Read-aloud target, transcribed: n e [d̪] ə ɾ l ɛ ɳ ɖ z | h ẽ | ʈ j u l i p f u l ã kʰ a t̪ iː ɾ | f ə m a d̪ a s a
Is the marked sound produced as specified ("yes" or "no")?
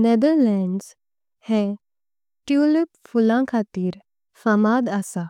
yes